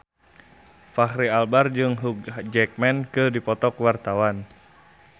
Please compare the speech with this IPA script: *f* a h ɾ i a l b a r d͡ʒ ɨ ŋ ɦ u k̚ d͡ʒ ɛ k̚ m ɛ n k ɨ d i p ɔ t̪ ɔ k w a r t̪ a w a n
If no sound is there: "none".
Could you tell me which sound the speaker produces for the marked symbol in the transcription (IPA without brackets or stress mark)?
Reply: f